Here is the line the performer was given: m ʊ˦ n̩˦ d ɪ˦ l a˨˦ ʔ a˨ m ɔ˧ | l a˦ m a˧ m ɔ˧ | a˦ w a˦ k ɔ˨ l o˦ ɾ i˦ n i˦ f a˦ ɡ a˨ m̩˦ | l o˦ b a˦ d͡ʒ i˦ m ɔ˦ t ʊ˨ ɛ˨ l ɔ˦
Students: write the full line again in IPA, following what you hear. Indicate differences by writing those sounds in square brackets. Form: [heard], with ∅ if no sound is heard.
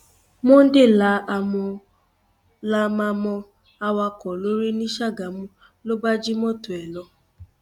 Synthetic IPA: m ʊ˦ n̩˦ d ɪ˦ l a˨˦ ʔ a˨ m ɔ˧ | l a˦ m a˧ m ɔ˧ | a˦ w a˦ k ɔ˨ l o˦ ɾ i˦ n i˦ [ʃ] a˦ ɡ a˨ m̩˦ | l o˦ b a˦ d͡ʒ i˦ m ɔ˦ t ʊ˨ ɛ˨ l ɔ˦